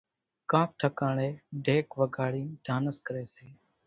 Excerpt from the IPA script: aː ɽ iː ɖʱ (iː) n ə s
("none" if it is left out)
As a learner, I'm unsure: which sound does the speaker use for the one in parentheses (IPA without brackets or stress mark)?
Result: aː